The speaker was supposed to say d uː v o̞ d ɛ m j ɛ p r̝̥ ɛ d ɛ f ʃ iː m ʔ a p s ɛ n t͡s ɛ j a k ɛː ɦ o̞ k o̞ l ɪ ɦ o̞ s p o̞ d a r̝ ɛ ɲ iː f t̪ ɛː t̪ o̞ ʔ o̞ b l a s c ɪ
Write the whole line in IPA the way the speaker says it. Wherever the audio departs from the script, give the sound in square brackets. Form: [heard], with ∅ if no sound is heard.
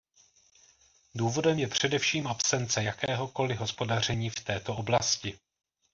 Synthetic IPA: d uː v o̞ d ɛ m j ɛ p r̝̥ ɛ d ɛ f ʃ iː m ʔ a p s ɛ n t͡s ɛ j a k ɛː ɦ o̞ k o̞ l ɪ ɦ o̞ s p o̞ d a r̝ ɛ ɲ iː f t̪ ɛː t̪ o̞ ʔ o̞ b l a s c ɪ